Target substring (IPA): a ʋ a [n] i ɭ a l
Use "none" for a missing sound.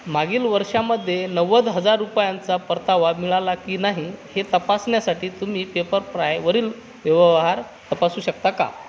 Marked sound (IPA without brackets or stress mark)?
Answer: m